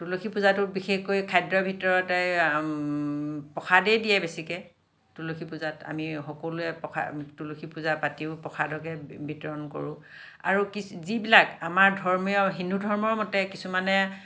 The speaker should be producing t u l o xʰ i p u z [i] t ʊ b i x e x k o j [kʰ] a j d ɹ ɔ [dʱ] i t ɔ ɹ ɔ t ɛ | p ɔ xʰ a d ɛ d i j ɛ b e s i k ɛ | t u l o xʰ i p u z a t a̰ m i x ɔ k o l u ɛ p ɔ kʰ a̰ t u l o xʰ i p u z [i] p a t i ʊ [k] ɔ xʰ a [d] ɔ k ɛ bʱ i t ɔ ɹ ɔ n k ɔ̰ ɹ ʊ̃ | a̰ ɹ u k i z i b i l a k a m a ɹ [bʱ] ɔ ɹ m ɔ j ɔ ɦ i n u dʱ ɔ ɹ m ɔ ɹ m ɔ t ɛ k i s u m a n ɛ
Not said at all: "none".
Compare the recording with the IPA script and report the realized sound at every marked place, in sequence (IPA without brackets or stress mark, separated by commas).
a, kʰ, bʱ, a, p, d, dʱ